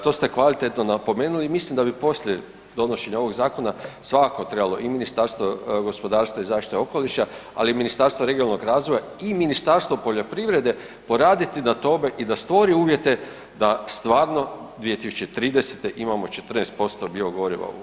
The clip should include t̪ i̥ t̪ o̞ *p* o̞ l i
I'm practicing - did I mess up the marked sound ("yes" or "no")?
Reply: yes